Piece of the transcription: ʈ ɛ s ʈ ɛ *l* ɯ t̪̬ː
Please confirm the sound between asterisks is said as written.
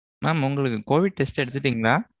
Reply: no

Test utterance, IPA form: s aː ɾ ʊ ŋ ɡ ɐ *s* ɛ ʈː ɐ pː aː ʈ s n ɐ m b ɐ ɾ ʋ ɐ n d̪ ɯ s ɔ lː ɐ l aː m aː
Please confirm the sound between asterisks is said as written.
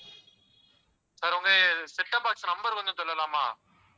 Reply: yes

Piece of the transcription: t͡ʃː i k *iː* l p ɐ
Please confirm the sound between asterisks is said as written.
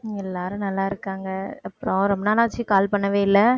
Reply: no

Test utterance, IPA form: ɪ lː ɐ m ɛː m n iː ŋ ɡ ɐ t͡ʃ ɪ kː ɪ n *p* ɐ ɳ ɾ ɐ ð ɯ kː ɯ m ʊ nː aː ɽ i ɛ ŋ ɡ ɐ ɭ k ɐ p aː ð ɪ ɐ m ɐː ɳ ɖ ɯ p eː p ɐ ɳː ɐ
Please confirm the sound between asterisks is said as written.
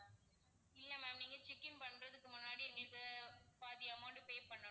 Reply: yes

